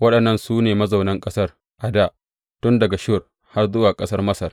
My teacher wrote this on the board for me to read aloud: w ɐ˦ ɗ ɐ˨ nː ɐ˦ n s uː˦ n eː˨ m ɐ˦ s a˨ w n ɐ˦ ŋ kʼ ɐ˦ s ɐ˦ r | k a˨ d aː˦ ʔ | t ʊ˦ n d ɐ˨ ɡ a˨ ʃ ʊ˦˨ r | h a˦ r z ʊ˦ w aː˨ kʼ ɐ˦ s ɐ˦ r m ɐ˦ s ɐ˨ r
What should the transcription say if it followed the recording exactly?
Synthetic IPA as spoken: w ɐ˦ ɗ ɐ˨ nː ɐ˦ n s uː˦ n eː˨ m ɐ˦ z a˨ w n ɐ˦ ŋ kʼ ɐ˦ s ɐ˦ r | ʔ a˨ d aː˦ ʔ | t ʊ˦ n d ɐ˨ ɡ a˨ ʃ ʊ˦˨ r | h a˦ r z ʊ˦ w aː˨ kʼ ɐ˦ s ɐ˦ r m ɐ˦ s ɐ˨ r